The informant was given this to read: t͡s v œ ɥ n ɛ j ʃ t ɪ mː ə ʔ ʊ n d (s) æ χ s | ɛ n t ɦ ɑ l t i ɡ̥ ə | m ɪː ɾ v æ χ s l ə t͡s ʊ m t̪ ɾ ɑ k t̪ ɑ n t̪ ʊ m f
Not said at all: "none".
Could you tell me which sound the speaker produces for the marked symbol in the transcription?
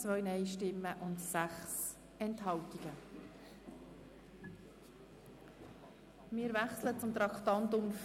s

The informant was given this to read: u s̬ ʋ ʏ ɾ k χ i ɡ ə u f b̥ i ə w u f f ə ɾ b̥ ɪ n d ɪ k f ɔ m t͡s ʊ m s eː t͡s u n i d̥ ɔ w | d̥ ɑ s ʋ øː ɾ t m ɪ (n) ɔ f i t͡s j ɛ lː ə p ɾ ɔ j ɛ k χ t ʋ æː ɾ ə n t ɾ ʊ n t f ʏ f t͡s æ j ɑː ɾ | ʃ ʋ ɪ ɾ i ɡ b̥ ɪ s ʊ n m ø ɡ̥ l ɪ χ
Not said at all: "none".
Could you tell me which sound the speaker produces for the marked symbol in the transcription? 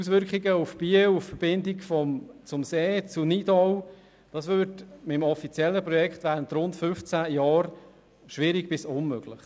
m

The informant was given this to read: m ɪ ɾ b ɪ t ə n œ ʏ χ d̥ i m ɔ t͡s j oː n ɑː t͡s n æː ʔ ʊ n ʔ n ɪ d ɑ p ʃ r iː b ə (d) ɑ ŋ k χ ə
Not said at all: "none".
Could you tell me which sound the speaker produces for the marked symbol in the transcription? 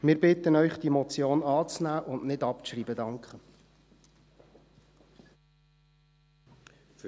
d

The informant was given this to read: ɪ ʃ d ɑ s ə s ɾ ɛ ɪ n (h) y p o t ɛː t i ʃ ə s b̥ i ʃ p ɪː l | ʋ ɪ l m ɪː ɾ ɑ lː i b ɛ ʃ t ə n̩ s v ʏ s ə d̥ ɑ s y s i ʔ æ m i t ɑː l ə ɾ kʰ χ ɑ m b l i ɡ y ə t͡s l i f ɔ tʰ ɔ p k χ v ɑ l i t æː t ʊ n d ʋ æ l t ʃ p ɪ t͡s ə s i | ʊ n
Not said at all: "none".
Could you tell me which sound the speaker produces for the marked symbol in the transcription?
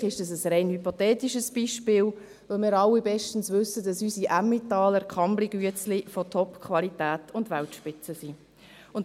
h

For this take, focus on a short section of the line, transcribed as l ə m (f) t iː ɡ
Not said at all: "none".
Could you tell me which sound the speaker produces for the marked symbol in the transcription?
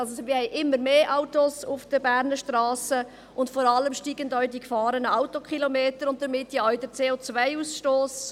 ʃ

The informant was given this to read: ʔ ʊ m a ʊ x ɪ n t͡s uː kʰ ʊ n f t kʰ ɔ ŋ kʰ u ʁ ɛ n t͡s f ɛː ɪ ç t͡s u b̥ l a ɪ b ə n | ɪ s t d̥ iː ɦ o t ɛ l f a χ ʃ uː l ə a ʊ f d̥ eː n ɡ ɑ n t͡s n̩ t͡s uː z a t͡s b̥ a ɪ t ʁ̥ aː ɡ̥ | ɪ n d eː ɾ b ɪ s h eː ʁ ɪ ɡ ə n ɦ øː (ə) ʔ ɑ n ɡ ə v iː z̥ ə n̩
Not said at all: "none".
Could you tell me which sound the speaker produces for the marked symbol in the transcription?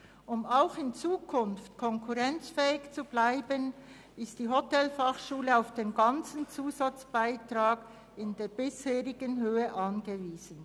ə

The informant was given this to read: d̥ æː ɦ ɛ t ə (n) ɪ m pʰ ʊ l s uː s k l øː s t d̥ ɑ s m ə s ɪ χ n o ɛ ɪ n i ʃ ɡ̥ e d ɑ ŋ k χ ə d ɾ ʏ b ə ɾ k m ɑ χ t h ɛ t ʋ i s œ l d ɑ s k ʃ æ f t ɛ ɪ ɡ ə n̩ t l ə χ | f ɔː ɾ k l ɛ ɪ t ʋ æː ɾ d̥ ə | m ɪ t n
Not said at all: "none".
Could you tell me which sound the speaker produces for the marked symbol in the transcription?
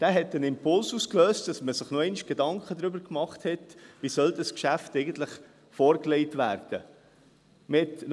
n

